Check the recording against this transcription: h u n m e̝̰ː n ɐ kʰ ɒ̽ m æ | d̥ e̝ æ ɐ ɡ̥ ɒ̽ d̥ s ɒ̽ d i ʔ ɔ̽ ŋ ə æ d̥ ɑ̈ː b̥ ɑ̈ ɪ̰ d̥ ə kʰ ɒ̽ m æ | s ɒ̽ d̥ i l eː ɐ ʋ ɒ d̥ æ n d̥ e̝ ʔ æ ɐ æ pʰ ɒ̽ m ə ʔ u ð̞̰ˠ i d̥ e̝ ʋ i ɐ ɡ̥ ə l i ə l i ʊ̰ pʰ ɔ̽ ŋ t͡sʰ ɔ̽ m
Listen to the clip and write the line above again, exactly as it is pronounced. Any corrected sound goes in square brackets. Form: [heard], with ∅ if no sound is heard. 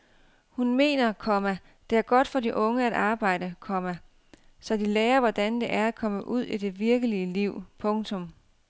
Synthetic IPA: h u n m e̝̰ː n ɐ kʰ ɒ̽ m æ | d̥ e̝ æ ɐ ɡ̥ ɒ̽ d̥ [f] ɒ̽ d i ʔ ɔ̽ ŋ ə æ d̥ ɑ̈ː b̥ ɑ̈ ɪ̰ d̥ ə kʰ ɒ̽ m æ | s ɒ̽ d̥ i l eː ɐ ʋ ɒ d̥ æ n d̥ e̝ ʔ æ ɐ æ [kʰ] ɒ̽ m ə ʔ u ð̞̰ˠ i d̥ e̝ ʋ i ɐ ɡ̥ ə l i ə l i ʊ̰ pʰ ɔ̽ ŋ t͡sʰ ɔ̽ m